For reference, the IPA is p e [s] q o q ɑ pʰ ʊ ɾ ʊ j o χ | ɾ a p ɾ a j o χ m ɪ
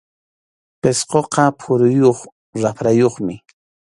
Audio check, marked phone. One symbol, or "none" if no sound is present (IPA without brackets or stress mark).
s